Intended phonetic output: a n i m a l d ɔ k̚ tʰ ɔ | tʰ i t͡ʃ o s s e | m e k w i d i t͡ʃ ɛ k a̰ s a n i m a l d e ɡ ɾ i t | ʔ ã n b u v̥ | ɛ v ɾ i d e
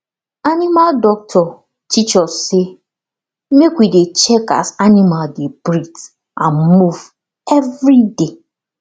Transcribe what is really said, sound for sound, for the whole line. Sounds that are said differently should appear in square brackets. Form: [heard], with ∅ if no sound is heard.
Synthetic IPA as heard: a n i m a l d ɔ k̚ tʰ ɔ | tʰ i t͡ʃ [ɔ] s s e | m e k w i d [e] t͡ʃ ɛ k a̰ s a n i m a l d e [b] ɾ i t | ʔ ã n [m] u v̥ | ɛ v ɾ i d e